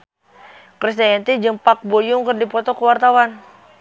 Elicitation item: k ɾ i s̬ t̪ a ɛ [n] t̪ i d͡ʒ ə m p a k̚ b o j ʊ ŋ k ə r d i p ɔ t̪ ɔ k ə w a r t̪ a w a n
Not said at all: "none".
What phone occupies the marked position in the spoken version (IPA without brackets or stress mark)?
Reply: n